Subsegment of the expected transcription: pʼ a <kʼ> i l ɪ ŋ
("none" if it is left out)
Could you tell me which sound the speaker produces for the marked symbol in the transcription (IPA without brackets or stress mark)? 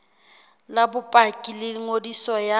kʼ